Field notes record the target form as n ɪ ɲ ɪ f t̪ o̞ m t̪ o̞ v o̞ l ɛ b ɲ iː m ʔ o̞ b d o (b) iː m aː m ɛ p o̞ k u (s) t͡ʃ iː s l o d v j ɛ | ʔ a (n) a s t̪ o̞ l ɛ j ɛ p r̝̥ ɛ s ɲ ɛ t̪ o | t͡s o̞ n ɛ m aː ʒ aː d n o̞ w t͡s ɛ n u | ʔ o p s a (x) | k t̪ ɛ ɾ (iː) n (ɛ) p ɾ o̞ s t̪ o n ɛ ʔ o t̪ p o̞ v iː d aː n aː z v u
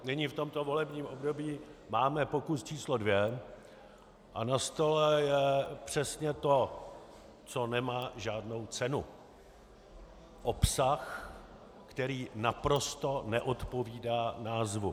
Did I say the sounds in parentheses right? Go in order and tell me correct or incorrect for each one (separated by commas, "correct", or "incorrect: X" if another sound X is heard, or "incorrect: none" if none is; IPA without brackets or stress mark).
correct, correct, correct, correct, correct, incorrect: a